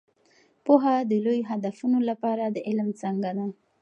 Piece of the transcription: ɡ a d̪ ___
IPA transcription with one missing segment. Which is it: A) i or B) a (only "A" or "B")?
B